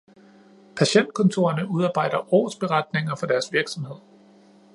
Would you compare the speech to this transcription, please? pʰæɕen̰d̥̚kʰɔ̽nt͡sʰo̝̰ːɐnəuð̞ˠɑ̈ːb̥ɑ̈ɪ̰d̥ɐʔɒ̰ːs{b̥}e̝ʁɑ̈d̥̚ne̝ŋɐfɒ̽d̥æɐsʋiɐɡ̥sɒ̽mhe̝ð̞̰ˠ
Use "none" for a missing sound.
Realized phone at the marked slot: b̥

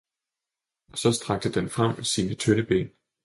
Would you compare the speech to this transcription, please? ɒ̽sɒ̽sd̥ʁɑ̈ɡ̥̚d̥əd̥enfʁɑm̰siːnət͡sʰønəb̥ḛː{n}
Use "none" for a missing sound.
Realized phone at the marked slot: n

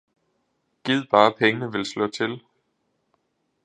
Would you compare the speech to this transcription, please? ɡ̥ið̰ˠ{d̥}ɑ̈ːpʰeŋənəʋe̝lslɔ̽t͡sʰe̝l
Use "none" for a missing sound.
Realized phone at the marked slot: b̥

